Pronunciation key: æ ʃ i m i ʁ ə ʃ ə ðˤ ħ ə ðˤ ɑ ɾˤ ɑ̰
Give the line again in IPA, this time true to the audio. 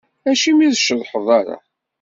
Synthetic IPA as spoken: æ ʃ i m i ð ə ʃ ə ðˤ ħ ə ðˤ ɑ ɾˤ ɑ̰